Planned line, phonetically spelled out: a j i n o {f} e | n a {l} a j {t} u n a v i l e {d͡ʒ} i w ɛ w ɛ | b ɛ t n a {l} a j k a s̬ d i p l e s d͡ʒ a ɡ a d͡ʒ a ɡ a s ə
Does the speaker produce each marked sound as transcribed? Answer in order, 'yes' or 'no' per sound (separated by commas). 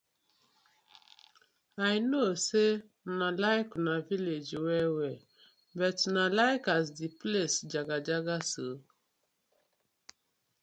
no, yes, no, yes, yes